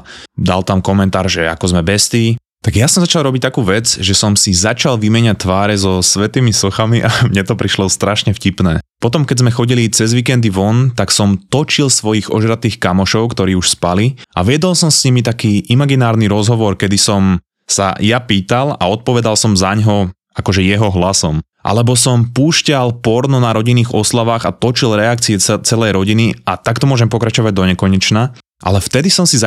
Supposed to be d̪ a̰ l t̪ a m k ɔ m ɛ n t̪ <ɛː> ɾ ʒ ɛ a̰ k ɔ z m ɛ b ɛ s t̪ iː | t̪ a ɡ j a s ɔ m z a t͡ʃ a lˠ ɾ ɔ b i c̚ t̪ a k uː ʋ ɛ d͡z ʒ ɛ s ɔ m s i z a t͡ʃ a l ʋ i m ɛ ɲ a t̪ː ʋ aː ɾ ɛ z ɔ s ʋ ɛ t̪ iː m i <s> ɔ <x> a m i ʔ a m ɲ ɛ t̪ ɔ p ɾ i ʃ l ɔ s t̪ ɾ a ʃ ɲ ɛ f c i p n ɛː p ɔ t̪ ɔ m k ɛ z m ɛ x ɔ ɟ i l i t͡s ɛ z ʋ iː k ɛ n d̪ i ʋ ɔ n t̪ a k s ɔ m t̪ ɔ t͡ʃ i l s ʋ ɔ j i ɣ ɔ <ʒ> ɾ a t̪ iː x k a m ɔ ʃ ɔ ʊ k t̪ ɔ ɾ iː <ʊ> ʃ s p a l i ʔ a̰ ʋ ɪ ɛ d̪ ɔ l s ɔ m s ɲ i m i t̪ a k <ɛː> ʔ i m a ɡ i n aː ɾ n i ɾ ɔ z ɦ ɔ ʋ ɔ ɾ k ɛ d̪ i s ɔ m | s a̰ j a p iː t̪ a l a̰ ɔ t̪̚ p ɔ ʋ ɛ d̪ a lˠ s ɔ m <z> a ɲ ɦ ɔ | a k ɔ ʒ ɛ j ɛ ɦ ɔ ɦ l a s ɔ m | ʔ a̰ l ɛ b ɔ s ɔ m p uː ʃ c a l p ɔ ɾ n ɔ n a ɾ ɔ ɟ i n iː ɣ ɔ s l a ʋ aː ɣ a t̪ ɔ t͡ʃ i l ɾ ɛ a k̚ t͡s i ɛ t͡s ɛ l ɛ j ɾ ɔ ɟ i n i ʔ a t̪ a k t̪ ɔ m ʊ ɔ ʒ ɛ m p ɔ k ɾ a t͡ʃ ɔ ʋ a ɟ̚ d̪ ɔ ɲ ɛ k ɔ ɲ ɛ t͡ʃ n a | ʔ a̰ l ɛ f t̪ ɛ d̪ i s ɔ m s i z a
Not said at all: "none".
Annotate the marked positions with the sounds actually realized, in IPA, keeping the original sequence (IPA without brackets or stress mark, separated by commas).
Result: aː, s, x, ʒ, u, iː, z